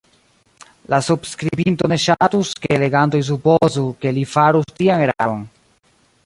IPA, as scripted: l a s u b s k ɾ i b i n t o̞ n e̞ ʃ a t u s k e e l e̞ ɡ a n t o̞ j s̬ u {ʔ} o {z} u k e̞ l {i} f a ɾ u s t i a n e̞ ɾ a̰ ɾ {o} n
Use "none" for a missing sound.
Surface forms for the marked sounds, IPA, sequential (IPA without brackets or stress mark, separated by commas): p, z, i, o